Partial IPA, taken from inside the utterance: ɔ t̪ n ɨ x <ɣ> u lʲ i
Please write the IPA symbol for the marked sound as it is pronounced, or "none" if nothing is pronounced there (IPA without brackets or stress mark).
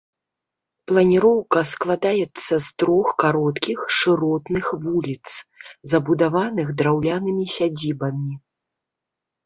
v